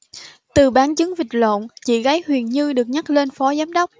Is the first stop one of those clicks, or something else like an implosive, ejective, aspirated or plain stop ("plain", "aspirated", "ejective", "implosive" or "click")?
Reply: plain